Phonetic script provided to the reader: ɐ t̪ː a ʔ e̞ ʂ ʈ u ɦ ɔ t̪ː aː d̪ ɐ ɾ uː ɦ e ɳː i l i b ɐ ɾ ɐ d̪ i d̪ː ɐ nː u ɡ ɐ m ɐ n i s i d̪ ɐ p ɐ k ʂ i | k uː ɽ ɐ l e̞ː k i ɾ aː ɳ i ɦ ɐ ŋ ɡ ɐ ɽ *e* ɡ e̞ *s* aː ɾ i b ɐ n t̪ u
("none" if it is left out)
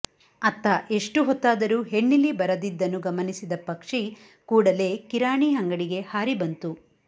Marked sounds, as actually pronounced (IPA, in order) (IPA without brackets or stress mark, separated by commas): i, h